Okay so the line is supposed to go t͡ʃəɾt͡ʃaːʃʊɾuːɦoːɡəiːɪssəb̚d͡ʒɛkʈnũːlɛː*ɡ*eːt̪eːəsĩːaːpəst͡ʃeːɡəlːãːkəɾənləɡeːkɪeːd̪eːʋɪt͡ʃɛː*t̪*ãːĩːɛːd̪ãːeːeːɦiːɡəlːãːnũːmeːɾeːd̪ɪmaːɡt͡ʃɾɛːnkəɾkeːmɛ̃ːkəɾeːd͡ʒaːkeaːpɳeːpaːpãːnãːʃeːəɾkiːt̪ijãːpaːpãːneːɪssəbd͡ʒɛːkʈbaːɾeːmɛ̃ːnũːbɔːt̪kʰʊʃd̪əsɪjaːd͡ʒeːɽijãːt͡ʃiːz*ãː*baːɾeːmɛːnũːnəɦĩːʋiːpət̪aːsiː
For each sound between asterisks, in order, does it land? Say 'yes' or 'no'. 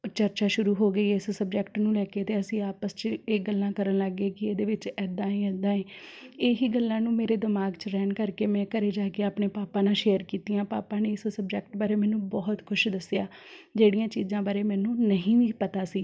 no, no, yes

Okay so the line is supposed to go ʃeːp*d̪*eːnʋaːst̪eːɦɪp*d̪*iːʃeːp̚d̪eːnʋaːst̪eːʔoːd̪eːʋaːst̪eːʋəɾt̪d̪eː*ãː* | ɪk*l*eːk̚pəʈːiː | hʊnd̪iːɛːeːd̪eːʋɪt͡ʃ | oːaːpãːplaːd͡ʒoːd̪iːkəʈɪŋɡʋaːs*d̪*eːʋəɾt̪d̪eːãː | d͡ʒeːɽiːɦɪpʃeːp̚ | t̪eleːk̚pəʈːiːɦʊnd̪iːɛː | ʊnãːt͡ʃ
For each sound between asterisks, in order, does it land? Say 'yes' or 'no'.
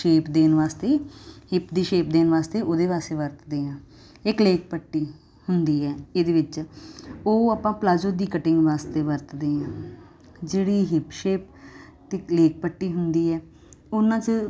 yes, yes, yes, yes, no

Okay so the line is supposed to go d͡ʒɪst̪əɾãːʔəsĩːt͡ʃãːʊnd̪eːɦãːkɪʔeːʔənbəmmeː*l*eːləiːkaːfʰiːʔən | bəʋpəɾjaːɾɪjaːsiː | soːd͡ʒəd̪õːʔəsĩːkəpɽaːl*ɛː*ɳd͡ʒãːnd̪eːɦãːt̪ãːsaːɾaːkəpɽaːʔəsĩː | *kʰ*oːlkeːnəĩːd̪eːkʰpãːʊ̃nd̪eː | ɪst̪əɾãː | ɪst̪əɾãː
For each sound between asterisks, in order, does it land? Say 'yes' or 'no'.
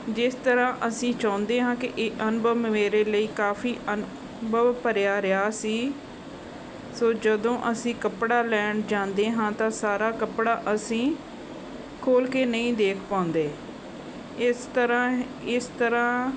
no, yes, yes

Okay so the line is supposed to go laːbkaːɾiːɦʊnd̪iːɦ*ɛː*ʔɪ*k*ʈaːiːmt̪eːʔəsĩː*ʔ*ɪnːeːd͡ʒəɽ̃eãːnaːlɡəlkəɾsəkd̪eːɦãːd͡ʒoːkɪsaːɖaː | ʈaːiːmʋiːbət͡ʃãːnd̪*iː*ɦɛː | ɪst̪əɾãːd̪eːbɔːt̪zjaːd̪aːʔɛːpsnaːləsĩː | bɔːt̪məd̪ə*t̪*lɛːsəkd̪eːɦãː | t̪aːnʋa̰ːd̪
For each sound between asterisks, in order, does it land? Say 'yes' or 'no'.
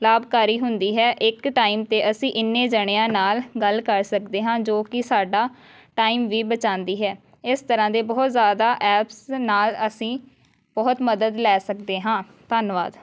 yes, yes, yes, yes, no

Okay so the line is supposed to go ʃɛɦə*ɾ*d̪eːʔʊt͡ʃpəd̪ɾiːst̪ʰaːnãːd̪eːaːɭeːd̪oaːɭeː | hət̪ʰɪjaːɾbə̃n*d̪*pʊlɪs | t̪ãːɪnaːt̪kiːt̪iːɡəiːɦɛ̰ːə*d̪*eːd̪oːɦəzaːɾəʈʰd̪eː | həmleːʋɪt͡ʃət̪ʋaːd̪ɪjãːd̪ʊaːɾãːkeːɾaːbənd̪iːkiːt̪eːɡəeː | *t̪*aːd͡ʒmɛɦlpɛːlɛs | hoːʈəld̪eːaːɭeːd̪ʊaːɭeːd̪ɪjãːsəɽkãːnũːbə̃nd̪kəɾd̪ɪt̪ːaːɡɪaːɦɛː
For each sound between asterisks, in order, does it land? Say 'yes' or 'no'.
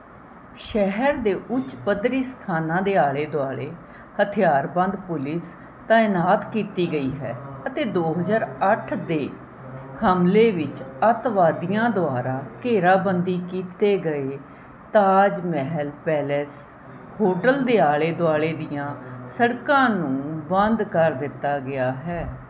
yes, yes, no, yes

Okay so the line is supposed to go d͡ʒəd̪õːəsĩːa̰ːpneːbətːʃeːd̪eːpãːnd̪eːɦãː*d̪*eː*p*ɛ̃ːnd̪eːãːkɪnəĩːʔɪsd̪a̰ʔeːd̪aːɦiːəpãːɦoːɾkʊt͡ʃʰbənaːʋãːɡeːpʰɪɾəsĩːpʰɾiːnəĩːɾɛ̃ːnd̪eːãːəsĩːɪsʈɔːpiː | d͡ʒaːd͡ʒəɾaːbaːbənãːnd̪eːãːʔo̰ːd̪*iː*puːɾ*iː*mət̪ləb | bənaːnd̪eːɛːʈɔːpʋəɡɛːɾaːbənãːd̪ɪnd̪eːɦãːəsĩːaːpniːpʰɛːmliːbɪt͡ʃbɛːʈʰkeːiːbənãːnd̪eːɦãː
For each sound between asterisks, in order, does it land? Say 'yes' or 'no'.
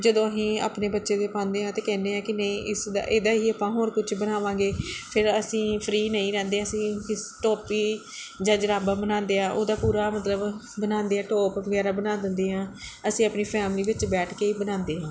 no, no, no, no

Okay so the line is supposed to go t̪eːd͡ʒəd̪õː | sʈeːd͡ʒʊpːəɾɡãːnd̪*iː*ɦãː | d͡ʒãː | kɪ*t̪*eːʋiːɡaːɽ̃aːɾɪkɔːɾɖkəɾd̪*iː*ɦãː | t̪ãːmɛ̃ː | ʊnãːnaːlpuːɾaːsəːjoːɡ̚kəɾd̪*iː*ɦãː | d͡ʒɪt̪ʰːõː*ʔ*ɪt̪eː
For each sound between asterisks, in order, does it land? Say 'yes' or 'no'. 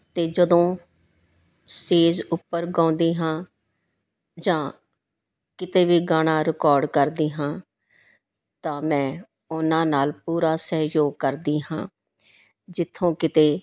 yes, yes, yes, yes, no

